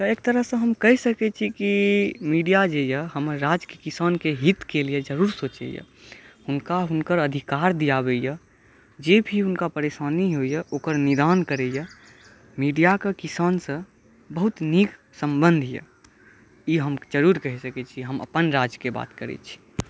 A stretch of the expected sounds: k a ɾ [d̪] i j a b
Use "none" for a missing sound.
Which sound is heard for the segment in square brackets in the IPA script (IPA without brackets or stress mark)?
d̪